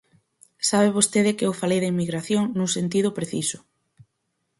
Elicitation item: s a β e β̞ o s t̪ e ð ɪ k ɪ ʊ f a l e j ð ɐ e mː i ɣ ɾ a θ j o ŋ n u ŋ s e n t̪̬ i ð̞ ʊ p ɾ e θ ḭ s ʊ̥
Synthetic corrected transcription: s a β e β̞ o s t̪ e ð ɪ k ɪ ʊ f a l e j ð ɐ i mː i ɣ ɾ a θ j o ŋ n u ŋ s e n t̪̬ i ð̞ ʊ p ɾ e θ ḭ s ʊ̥